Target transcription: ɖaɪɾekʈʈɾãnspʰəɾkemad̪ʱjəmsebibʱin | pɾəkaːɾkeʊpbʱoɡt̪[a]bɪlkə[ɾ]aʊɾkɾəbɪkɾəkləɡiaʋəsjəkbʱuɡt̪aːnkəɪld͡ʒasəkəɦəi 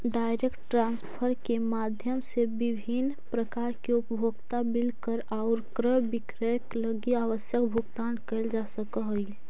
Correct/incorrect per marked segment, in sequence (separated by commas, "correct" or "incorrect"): correct, correct